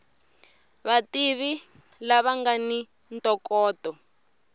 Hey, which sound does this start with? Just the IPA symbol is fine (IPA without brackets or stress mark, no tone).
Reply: β